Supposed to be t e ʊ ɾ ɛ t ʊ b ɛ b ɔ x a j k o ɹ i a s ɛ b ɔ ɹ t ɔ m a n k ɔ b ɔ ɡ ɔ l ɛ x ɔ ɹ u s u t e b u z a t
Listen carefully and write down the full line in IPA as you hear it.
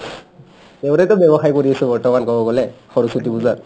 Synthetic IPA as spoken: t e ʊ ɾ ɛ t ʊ b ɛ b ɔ x a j k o ɹ i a s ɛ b ɔ ɹ t ɔ m a n k ɔ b ɔ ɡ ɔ l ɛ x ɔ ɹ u s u t i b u z a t